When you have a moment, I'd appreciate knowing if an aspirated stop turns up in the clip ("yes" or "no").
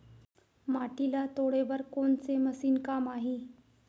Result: no